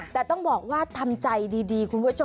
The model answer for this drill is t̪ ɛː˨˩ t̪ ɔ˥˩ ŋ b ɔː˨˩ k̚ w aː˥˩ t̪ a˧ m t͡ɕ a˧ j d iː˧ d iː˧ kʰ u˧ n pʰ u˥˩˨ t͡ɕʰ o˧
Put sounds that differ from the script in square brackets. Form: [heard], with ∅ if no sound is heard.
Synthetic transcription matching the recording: t̪ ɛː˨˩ t̪ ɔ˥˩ ŋ b ɔː˨˩ k̚ w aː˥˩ [t̪ʰ] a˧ m t͡ɕ a˧ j d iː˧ d iː˧ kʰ u˧ n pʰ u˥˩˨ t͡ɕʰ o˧